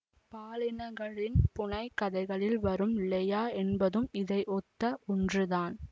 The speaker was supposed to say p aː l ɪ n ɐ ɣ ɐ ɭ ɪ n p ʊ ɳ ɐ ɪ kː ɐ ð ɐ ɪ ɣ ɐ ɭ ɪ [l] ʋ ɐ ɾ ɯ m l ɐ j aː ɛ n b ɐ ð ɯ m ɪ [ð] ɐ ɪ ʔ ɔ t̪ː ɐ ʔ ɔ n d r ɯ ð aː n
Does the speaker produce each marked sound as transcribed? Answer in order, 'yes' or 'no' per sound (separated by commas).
yes, yes